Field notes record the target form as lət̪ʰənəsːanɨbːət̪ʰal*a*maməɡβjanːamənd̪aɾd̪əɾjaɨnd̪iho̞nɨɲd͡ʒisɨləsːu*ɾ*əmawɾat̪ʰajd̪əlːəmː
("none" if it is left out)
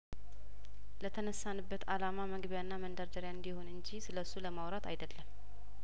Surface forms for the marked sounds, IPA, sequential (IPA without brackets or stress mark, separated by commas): a, l